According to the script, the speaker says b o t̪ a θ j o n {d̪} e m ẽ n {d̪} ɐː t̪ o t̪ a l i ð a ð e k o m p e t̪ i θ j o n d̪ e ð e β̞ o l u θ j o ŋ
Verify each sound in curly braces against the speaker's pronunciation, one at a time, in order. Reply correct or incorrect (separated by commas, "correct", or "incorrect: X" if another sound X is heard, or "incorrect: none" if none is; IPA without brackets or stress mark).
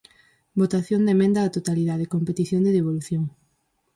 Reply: correct, correct